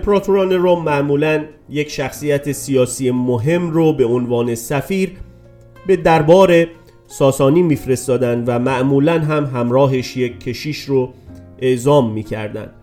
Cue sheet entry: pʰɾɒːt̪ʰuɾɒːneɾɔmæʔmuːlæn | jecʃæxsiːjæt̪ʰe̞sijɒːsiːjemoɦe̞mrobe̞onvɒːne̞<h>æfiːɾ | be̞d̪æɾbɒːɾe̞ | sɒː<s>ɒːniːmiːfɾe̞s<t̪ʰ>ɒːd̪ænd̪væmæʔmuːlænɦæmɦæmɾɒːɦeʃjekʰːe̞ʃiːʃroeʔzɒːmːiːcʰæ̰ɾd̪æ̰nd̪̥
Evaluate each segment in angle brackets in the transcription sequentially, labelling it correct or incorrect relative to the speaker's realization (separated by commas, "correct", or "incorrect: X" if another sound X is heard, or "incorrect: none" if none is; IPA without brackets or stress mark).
incorrect: s, correct, incorrect: t̪